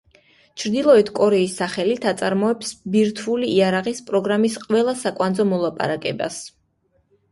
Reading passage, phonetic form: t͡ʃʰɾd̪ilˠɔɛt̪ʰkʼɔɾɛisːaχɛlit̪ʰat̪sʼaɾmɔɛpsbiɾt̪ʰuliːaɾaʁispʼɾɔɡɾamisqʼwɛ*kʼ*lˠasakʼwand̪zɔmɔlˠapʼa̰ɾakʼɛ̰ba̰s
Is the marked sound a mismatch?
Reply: yes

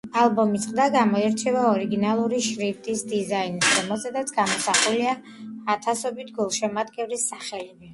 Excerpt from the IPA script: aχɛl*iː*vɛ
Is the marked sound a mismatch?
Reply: yes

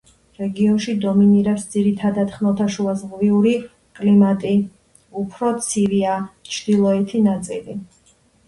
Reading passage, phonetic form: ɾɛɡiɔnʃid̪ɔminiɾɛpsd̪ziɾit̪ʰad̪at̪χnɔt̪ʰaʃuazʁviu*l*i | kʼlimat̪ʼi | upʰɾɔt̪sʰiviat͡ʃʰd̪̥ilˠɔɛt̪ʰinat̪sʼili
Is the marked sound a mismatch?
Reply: yes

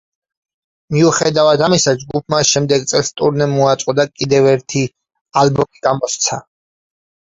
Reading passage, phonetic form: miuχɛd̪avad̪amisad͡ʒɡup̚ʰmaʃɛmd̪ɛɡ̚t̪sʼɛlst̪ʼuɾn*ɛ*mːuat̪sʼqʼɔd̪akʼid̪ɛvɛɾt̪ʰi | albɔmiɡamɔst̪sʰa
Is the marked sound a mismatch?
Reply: no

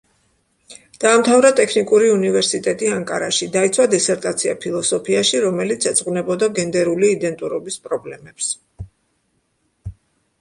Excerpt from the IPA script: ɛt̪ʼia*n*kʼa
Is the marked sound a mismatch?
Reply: yes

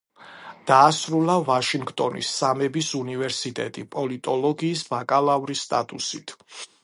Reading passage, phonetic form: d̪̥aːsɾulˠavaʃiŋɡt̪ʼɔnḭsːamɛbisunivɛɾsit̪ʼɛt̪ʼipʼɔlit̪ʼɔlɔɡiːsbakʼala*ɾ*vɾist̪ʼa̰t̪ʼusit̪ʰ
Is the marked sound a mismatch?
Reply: yes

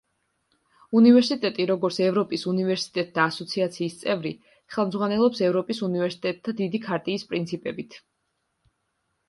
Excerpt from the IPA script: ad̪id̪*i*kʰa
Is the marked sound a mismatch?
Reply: no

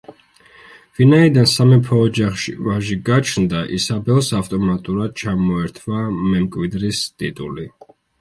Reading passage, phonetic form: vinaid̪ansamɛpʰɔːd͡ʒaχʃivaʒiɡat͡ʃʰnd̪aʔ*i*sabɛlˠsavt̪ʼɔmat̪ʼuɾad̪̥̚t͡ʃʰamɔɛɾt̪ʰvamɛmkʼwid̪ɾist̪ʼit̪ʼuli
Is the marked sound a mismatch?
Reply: no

